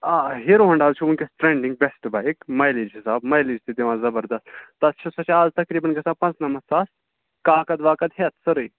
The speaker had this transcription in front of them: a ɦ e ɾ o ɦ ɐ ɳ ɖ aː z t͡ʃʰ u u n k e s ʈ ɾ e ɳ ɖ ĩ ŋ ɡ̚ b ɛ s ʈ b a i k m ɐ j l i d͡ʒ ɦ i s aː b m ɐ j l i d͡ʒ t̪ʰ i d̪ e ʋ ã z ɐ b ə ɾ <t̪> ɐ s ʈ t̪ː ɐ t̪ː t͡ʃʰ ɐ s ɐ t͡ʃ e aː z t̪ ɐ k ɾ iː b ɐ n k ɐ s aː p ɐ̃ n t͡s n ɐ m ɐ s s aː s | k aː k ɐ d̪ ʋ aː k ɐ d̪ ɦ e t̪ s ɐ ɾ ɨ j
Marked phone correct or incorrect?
incorrect